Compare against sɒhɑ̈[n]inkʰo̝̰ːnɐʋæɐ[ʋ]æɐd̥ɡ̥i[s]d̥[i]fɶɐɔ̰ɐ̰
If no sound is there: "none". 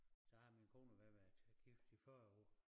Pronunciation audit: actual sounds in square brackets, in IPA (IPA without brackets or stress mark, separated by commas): m, ʋ, f, i